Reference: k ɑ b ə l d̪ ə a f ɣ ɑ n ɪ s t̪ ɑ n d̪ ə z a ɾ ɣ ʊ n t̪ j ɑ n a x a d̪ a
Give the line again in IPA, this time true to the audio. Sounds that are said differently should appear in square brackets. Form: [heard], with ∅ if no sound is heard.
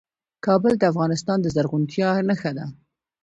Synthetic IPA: k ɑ b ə l d̪ ə a f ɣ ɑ n ɪ s t̪ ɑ n d̪ ə z a ɾ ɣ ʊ n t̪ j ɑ n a x a d̪ a